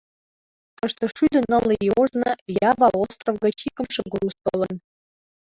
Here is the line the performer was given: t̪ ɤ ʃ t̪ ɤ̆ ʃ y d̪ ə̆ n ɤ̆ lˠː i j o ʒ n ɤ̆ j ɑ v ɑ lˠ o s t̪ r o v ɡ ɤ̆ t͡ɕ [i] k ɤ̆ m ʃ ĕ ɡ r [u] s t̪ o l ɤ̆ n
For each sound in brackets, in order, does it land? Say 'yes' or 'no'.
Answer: yes, yes

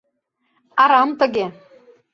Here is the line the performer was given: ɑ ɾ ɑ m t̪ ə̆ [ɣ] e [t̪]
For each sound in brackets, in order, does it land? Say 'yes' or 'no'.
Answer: yes, no

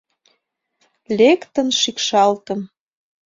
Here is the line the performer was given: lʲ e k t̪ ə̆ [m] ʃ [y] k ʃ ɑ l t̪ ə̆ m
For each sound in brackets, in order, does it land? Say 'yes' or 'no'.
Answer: no, no

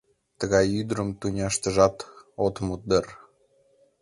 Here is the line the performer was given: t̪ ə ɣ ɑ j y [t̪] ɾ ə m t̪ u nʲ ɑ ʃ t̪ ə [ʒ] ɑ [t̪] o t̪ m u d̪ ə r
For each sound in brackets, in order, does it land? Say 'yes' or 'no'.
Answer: no, yes, yes

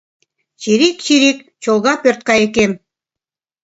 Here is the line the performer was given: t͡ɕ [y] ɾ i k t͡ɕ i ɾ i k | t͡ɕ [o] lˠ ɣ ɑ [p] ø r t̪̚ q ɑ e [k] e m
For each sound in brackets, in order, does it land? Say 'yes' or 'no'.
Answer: no, yes, yes, yes

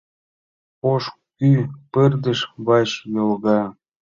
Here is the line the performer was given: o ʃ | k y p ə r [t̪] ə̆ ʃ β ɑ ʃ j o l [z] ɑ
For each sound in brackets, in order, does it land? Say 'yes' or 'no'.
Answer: no, no

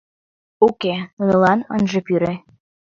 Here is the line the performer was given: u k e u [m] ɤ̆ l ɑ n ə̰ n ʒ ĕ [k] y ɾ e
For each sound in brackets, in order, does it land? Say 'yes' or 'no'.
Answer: no, no

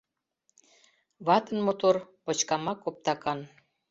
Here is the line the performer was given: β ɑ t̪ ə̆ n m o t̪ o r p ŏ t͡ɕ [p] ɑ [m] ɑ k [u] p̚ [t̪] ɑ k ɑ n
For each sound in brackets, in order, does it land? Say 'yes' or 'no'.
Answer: no, yes, no, yes

